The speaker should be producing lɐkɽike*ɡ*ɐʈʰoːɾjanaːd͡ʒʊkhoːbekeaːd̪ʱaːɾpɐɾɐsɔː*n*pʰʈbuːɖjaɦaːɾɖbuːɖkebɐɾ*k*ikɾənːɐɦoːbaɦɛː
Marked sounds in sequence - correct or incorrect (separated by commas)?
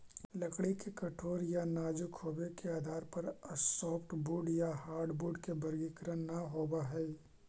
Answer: incorrect, incorrect, incorrect